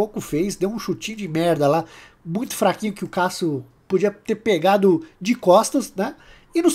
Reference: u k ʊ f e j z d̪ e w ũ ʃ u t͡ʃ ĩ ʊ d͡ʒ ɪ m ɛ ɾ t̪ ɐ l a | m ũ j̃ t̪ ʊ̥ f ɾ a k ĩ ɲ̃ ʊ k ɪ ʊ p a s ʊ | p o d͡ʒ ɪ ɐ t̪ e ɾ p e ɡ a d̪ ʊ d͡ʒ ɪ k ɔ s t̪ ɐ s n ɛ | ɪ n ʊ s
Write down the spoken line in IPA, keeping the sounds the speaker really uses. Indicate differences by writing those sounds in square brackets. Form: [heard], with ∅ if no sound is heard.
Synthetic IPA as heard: [o] k ʊ f e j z d̪ e w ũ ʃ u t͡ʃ ĩ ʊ d͡ʒ ɪ m ɛ ɾ [d̪] ɐ l a | m ũ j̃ t̪ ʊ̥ f ɾ a k ĩ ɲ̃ ʊ k ɪ ʊ [k] a s ʊ | p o d͡ʒ [i] ɐ t̪ e ɾ p e ɡ a d̪ ʊ d͡ʒ ɪ k ɔ s t̪ ɐ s n ɛ | ɪ n ʊ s